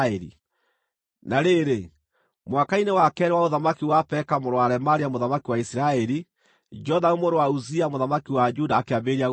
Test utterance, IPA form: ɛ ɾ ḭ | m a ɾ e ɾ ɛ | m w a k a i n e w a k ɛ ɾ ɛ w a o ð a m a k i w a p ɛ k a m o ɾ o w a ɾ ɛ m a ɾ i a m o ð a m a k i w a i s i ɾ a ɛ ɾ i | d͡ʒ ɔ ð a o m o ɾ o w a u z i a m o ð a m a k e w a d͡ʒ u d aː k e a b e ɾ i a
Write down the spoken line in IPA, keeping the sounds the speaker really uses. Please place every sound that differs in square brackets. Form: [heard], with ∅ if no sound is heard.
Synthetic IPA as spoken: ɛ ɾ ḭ | [n] a ɾ e ɾ [e] | m w a k a i n e w a k ɛ ɾ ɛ w a o ð a m a k i w a p ɛ k a m o ɾ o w a ɾ ɛ m a ɾ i a m o ð a m a k i w a i s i ɾ a ɛ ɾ i | d͡ʒ ɔ ð a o m o ɾ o w a u z i a m o ð a m a k [i] w a d͡ʒ u d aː k e a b e ɾ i a